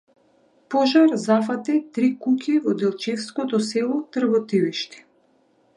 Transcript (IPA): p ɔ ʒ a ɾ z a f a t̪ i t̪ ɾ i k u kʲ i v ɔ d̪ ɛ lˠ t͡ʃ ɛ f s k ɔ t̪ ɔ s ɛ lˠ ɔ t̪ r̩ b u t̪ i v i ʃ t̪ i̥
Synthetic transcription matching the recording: p ɔ ʒ a ɾ z a f a t̪ i t̪ ɾ i k u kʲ i v ɔ d̪ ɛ lˠ t͡ʃ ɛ f s k ɔ t̪ ɔ s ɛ lˠ ɔ t̪ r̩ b ɔ t̪ i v i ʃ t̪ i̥